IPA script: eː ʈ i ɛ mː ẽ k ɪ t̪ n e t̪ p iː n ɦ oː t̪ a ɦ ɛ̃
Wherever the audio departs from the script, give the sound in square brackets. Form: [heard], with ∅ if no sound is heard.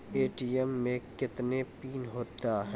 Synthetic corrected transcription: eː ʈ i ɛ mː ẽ k ɪ t̪ n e [∅] p iː n ɦ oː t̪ a ɦ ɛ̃